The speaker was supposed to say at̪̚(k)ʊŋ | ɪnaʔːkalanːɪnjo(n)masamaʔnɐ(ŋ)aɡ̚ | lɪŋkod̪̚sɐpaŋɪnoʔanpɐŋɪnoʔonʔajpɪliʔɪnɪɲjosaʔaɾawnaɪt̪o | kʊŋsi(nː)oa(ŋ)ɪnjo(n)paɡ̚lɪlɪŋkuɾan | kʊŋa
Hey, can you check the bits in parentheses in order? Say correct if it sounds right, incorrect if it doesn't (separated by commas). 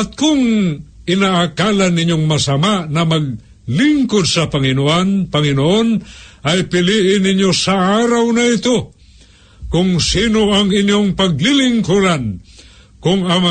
correct, incorrect, incorrect, incorrect, correct, incorrect